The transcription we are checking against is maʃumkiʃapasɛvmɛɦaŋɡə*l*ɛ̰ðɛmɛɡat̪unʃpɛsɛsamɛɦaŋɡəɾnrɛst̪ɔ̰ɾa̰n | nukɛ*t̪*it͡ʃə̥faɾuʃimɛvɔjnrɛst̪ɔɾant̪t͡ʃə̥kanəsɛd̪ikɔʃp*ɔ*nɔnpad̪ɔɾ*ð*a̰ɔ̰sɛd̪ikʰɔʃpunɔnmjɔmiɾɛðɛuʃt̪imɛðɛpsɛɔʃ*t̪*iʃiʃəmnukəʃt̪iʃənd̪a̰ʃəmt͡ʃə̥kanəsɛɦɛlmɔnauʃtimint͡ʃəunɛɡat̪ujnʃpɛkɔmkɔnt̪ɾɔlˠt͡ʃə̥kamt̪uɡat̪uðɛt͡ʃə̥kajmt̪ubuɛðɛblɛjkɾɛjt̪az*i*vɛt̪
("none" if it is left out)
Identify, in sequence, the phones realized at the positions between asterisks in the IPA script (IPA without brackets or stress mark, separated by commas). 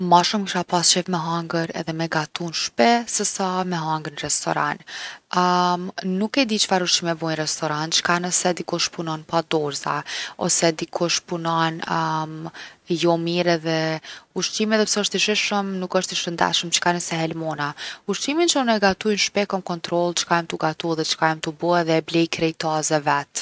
ɾ, d̪, u, z, t̪, ɛ